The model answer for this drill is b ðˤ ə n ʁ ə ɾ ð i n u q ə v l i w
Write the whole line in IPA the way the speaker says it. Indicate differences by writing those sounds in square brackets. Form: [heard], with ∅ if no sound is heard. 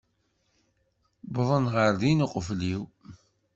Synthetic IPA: b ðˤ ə n ʁ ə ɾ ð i n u q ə [f] l i w